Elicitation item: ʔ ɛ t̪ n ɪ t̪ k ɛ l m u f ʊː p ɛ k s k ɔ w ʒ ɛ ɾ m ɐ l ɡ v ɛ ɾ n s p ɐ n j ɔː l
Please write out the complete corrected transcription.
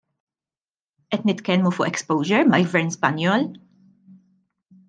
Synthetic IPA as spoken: ʔ ɛ t̪ n ɪ t̪ k ɛ l m u f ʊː ʔ ɛ k s p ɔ w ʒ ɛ ɾ m ɐ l ɡ v ɛ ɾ n s p ɐ n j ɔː l